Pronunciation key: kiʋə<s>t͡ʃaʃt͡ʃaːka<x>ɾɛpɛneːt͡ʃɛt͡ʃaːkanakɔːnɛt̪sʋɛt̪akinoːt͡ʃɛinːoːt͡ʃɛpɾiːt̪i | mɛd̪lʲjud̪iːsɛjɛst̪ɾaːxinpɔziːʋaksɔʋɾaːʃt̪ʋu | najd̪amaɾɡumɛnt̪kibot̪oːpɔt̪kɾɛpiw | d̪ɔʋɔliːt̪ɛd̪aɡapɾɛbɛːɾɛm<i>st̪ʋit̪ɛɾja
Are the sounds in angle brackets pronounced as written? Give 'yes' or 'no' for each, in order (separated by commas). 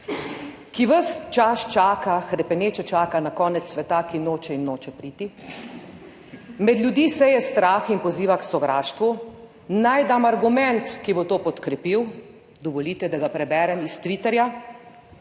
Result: yes, yes, yes